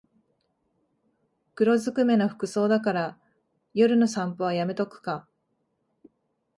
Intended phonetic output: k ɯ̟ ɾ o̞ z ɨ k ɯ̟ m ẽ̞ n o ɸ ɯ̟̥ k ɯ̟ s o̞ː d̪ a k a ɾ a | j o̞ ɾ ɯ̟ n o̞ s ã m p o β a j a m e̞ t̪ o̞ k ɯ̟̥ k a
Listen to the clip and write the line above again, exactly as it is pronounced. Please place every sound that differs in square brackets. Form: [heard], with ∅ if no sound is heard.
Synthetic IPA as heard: k ɯ̟ ɾ o̞ z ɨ k ɯ̟ m [e̞] n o ɸ ɯ̟̥ k ɯ̟ s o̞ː d̪ a k a ɾ a | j o̞ ɾ ɯ̟ n o̞ s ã m p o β a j a m e̞ t̪ o̞ k ɯ̟̥ k a

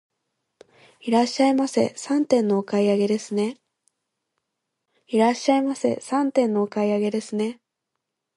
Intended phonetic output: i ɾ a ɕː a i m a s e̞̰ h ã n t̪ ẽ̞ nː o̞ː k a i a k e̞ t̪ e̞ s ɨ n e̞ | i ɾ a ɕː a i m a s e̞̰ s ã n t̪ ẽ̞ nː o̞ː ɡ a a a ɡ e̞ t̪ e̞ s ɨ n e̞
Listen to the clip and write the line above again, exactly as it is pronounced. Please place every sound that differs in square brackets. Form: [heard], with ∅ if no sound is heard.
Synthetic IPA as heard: i ɾ a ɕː a i m a s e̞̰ [s] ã n t̪ ẽ̞ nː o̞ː k a i a [ɡ] e̞ [d̪] e̞ s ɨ n e̞ | i ɾ a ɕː a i m a s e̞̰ s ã n t̪ ẽ̞ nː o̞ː [k] a [i] a ɡ e̞ [d̪] e̞ s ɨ n e̞

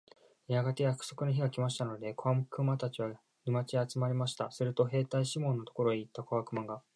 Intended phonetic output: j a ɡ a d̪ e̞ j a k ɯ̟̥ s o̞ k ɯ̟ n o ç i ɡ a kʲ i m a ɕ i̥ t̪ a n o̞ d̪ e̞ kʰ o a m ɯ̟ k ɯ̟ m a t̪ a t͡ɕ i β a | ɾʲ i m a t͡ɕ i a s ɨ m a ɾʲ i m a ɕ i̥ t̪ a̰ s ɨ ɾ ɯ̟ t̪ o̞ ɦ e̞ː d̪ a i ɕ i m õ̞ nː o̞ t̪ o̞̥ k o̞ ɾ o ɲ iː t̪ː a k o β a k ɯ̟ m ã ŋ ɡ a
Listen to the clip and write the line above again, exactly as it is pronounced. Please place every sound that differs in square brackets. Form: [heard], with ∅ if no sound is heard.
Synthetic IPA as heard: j a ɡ a [t̪] e̞ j a k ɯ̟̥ s o̞ k ɯ̟ n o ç i ɡ a kʲ i m a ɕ i̥ t̪ a n o̞ d̪ e̞ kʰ o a m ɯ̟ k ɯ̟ m a t̪ a t͡ɕ i β a | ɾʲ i m a t͡ɕ i a [t͡s] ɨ m a ɾʲ i m a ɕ i̥ t̪ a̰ s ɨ ɾ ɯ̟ t̪ o̞ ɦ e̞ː [t̪] a i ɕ i m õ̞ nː o̞ t̪ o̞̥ k o̞ ɾ o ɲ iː t̪ː a k o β a k ɯ̟ m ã ŋ ɡ a

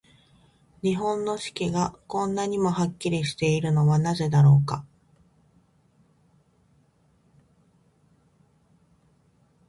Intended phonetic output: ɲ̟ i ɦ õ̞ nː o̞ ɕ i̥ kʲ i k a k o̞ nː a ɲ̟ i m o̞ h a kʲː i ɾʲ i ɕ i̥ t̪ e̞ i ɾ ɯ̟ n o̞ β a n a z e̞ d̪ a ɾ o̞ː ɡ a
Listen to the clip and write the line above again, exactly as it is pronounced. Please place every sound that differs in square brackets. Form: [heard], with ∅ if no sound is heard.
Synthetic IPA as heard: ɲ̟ i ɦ õ̞ nː o̞ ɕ i̥ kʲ i [ɡ] a k [õ̞] nː a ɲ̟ i m o̞ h a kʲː i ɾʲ i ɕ i̥ t̪ e̞ i ɾ ɯ̟ n o̞ β a n a z e̞ d̪ a ɾ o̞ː [k] a

